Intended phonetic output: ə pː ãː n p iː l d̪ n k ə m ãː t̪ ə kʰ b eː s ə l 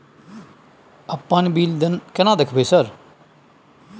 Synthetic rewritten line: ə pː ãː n b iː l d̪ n k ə n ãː d̪ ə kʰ b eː s ə ɾ

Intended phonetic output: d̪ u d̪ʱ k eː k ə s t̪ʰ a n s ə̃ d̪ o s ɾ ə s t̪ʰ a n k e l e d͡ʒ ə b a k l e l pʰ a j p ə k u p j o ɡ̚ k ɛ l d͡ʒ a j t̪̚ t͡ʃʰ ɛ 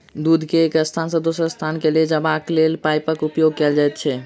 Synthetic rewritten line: d̪ u d̪ʱ k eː k ə s t̪ʰ a n s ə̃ d̪ o s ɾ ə s t̪ʰ a n k e l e d͡ʒ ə b a k l e l p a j p ə k u p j o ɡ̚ k ɛ l d͡ʒ a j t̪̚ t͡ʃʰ ɛ

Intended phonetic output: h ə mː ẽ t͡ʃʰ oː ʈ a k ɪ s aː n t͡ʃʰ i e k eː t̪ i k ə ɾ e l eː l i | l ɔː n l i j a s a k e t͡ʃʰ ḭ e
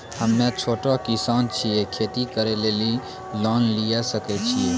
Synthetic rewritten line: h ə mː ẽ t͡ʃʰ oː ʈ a k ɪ s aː n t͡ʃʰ i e kʰ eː t̪ i k ə ɾ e l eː l i | l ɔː n l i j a s ə k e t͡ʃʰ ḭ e

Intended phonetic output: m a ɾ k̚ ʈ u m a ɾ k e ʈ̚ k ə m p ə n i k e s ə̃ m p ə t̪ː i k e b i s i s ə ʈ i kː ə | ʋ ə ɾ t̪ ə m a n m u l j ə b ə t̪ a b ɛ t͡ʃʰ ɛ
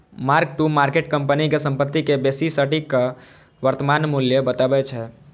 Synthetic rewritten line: m a ɾ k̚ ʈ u m a ɾ k e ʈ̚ k ə m p ə n i k e s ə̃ m p ə t̪ː i k e b e s i s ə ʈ i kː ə | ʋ ə ɾ t̪ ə m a n m u l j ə b ə t̪ a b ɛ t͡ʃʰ ɛ

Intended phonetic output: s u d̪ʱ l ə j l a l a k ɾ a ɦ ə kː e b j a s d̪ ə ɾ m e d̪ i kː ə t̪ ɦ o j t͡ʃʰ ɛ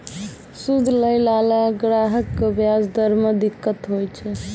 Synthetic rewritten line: s u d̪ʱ l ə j l a l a ɡ ɾ a ɦ ə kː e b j a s d̪ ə ɾ m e d̪ i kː ə t̪ ɦ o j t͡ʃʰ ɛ

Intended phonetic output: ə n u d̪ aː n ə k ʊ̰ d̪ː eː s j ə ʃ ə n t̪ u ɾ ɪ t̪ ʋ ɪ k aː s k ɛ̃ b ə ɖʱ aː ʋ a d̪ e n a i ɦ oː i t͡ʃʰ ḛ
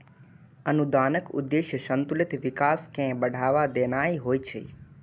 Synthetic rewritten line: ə n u d̪ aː n ə k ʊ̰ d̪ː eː ʃ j ə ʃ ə n t̪ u l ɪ t̪ ʋ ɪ k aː s k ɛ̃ b ə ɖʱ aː ʋ a d̪ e n a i ɦ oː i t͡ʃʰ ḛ

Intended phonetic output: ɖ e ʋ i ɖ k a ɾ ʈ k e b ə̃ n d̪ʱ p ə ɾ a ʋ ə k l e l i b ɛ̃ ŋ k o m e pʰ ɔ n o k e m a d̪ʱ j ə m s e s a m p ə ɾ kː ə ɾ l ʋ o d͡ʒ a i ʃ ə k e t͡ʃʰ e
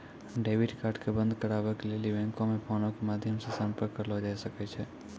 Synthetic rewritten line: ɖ e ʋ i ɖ k a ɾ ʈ k e b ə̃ n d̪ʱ k ə ɾ a ʋ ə k l e l i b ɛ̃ ŋ k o m e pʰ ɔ n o k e m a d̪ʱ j ə m s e s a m p ə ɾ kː ə ɾ l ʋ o d͡ʒ a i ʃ ə k e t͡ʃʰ e

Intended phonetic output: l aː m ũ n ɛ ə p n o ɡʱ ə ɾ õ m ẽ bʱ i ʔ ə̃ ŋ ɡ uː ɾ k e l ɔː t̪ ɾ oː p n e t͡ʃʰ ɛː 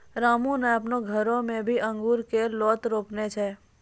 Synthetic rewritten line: ɾ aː m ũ n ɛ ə p n o ɡʱ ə ɾ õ m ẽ bʱ i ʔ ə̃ ŋ ɡ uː ɾ k e l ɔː t̪ ɾ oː p n e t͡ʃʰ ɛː

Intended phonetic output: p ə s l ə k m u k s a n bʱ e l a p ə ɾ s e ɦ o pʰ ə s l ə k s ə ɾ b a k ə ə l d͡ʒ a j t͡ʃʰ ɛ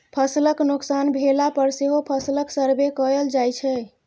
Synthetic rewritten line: pʰ ə s l ə k n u k s a n bʱ e l a p ə ɾ s e ɦ o pʰ ə s l ə k s ə ɾ b e k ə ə l d͡ʒ a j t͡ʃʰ ɛ

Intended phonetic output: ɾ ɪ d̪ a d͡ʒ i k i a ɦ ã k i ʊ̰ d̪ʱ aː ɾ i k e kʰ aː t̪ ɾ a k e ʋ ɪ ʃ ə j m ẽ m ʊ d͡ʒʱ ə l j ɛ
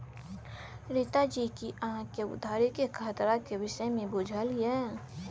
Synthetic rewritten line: ɾ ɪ t̪ a d͡ʒ i k i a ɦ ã k e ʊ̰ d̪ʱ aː ɾ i k e kʰ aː t̪ ɾ a k e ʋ ɪ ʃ ə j m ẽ b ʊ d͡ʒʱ ə l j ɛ

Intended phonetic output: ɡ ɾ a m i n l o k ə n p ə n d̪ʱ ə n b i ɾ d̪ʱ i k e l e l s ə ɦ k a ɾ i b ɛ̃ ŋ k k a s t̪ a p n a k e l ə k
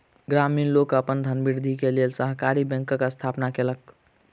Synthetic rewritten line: ɡ ɾ a m i n l o k ə p ə n d̪ʱ ə n b i ɾ d̪ʱ i k e l e l s ə ɦ k a ɾ i b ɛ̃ ŋ k k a s t̪ʰ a p n a k e l ə k

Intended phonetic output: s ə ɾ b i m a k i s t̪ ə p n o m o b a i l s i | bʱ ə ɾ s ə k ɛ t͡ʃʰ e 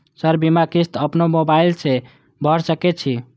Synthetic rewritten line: s ə ɾ b i m a k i s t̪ ə p n o m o b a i l s e | bʱ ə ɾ s ə k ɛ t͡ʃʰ i

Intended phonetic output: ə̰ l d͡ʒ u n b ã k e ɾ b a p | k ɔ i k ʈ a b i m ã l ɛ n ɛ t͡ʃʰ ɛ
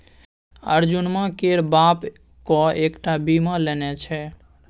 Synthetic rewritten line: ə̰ ɾ d͡ʒ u n m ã k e ɾ b a p | k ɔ e k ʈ a b i m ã l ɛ n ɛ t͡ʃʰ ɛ

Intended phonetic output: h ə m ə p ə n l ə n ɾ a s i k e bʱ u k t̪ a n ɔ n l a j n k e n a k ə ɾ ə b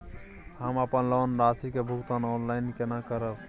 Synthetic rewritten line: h ə m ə p ə n l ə n ɾ a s i k e bʱ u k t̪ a n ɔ n l a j n k e n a k ə ɾ ə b

